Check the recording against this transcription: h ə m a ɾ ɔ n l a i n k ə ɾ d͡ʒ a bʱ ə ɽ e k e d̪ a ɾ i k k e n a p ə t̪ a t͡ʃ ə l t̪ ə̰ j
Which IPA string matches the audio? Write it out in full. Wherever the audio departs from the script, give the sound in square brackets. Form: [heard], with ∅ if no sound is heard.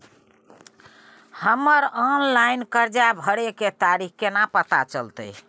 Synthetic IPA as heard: h ə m [ə] ɾ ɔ n l a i n k ə ɾ d͡ʒ a bʱ ə ɽ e k e [t̪] a ɾ i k k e n a p ə t̪ a t͡ʃ ə l t̪ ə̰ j